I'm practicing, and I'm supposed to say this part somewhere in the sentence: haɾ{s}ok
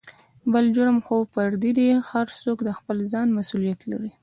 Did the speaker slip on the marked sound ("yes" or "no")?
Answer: no